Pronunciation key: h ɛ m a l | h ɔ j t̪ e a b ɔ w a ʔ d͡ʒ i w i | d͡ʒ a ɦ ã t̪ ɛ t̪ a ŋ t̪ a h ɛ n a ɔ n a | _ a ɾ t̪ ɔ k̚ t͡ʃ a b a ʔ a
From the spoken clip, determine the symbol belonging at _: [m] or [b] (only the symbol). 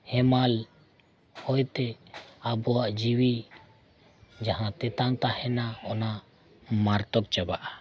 m